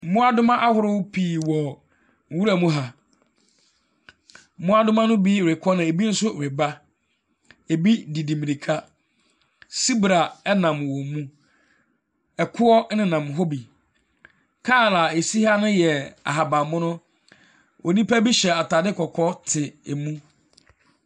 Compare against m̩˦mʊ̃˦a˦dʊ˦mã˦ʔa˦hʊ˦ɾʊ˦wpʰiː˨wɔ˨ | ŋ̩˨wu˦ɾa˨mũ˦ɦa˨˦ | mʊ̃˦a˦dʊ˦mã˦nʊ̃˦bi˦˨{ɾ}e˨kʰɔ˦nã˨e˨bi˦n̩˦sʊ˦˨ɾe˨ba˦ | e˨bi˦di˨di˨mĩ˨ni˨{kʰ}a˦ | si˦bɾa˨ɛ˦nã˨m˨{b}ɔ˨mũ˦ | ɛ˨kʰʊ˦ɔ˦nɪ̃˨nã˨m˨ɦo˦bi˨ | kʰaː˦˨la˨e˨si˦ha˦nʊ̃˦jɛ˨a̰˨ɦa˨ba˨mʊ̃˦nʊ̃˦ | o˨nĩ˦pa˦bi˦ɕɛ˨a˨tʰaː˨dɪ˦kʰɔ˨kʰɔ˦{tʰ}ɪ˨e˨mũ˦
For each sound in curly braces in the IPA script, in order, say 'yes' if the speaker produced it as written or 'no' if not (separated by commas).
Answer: yes, yes, no, yes